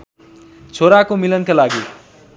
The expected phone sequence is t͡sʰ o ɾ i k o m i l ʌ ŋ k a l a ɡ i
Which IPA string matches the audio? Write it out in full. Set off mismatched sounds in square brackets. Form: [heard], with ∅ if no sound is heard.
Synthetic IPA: t͡sʰ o ɾ [a] k o m i l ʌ [n] k a l a ɡ i